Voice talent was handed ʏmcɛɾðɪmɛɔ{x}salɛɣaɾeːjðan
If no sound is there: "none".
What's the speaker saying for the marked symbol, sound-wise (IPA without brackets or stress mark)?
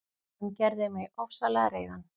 f